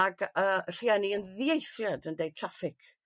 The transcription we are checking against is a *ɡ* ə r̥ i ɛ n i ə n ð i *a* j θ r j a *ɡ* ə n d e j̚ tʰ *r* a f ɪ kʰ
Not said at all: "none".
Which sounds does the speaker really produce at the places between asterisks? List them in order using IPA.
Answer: ɡ, e, d, r

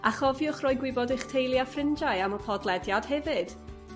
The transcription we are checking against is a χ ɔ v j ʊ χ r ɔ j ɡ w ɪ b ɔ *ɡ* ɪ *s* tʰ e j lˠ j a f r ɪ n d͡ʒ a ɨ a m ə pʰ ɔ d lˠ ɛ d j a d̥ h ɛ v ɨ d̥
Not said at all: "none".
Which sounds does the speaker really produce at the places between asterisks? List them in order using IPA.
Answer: d, χ

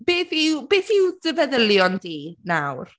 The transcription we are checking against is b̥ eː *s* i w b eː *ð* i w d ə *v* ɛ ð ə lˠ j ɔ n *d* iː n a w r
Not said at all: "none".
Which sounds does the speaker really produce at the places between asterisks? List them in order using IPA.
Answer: θ, θ, v, d

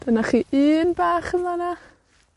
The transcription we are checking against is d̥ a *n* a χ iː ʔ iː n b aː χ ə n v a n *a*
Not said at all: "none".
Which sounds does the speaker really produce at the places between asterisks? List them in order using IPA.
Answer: n, a

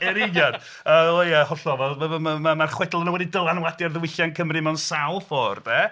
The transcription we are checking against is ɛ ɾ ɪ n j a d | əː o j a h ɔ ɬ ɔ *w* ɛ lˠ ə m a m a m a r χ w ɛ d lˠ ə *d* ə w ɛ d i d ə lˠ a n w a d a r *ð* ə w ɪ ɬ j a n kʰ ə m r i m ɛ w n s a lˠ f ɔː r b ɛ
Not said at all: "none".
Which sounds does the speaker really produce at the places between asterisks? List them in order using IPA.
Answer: v, n, ð

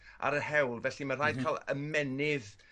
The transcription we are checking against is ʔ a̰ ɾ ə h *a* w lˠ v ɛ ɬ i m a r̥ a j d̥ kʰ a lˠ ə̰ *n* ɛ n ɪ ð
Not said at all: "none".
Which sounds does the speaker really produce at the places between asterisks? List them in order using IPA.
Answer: ɛ, m

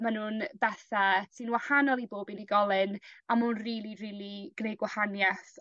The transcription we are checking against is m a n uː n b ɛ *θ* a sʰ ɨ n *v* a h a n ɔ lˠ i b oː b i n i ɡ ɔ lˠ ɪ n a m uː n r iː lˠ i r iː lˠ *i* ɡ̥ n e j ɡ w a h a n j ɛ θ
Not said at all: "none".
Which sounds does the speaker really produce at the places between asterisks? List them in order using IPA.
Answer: θ, w, i

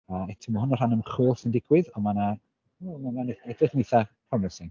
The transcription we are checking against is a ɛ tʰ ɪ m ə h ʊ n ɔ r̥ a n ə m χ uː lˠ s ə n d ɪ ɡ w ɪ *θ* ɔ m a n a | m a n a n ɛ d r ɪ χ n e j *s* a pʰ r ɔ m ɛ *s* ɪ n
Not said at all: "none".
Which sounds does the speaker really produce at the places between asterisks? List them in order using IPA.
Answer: ð, θ, s

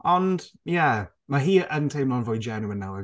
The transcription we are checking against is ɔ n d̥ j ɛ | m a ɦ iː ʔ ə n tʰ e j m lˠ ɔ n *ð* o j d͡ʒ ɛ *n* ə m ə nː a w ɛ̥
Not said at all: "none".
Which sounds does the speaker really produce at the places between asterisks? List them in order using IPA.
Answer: v, n

